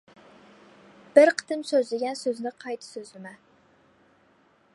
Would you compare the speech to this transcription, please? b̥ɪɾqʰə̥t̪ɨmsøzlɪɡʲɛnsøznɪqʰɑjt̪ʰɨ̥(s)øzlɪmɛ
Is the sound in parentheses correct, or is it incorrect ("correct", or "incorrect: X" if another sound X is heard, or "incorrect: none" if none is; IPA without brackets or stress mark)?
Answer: correct